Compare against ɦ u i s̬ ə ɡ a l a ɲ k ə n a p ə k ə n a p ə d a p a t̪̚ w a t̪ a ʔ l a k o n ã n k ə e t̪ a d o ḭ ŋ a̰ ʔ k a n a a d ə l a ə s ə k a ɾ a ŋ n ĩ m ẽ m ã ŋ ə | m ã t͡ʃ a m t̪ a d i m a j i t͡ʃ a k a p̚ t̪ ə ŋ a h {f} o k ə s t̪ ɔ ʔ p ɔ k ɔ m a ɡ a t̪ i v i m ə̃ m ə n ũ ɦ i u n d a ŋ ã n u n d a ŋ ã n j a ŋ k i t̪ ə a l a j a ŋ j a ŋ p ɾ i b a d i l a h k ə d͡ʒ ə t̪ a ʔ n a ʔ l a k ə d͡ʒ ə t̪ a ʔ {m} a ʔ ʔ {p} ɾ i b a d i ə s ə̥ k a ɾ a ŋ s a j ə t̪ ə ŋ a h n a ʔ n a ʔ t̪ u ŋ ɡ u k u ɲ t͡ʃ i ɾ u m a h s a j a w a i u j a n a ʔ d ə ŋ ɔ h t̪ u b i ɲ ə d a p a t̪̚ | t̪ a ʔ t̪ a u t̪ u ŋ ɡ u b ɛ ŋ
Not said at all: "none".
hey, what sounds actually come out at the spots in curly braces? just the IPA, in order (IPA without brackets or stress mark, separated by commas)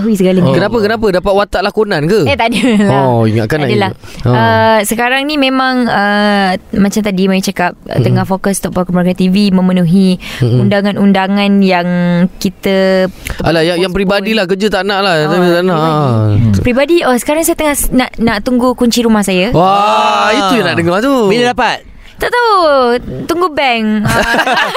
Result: f, n, p